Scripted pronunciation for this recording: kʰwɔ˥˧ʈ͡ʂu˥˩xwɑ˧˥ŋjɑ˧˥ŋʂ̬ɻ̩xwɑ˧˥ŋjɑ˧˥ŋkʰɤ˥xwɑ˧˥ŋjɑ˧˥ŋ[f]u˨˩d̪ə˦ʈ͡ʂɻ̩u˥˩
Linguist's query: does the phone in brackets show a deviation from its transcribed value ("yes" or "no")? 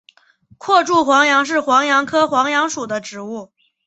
yes